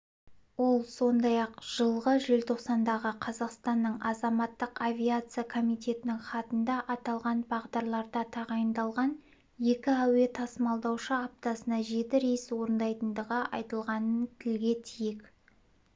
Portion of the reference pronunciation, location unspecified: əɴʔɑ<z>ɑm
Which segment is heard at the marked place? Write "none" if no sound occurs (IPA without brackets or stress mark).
z